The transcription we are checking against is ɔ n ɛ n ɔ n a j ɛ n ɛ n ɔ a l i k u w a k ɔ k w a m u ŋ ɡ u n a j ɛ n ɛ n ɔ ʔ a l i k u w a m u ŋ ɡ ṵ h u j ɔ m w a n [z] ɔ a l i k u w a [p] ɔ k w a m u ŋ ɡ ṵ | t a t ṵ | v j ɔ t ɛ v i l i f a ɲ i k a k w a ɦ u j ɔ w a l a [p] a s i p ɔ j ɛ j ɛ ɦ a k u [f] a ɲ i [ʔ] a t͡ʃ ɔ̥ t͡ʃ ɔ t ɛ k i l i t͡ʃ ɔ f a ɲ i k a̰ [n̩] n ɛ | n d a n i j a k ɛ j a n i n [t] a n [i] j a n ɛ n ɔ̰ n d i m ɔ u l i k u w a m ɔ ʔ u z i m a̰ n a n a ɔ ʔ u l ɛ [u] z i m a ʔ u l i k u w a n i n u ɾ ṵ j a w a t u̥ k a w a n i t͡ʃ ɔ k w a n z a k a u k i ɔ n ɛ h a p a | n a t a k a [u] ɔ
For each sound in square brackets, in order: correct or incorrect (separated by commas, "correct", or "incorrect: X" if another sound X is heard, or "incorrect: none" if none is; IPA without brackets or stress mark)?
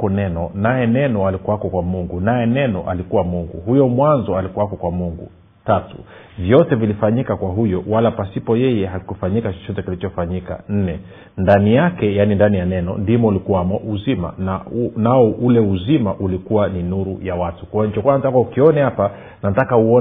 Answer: correct, incorrect: k, correct, correct, incorrect: k, correct, incorrect: d, correct, correct, correct